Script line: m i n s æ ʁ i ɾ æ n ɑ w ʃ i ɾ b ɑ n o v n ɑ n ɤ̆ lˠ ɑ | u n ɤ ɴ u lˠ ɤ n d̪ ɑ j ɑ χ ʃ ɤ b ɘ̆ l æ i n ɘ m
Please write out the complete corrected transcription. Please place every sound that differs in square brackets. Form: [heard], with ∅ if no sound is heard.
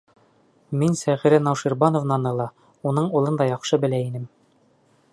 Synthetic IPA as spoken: m i n s æ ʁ i ɾ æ n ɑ w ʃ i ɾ b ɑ n o v n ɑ n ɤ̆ lˠ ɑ | u n ɤ ɴ u lˠ ɤ n d̪ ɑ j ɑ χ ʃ ɤ b ɘ̆ l æ i n ɘ m